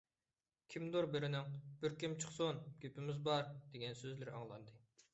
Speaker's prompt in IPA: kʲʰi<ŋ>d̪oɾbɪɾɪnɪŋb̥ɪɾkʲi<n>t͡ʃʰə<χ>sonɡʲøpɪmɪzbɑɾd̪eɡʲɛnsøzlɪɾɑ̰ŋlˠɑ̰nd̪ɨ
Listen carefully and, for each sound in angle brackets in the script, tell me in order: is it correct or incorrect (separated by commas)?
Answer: incorrect, incorrect, correct